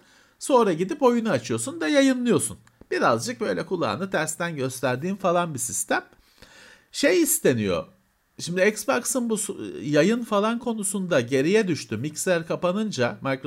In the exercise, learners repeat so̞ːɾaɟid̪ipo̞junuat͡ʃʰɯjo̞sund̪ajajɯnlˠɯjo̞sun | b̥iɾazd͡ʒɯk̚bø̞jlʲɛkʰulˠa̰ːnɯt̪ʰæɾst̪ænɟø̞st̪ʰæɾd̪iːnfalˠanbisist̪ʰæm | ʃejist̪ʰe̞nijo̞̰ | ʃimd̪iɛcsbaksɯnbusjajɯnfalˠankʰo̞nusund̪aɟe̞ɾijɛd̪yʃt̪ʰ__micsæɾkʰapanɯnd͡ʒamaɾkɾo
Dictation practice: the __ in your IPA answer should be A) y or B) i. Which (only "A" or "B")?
A